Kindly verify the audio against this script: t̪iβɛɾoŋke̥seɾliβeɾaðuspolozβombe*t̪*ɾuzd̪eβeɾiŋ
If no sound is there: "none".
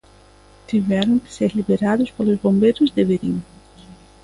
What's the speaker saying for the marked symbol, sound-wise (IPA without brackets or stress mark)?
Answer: none